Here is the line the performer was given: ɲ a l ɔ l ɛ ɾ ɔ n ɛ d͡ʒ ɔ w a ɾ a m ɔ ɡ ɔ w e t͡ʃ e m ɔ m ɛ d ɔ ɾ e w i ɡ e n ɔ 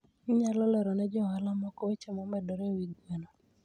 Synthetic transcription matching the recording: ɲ a l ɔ l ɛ ɾ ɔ n ɛ d͡ʒ ɔ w a l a m ɔ k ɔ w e t͡ʃ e m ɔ m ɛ d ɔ ɾ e w i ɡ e n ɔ

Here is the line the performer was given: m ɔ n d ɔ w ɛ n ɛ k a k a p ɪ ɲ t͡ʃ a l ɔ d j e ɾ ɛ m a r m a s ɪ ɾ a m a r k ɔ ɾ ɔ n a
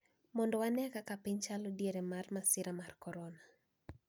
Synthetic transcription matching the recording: m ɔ n d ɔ w a n ɛ k a k a p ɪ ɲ t͡ʃ a l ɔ d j e ɾ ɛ m a r m a s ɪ ɾ a m a r k ɔ ɾ ɔ n a

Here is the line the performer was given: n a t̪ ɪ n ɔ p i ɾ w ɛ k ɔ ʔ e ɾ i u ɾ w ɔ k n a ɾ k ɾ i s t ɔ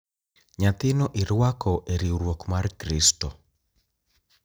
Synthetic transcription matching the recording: ɲ a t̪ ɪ n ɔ ʔ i ɾ w a k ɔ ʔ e ɾ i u ɾ w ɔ k m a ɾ k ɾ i s t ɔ

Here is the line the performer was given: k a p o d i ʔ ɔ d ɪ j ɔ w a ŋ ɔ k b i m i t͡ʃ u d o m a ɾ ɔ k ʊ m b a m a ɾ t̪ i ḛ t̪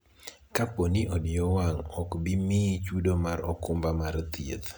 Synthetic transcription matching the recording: k a p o n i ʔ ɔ d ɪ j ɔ w a ŋ ɔ k b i m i t͡ʃ u d o m a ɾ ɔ k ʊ m b a m a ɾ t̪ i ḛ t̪

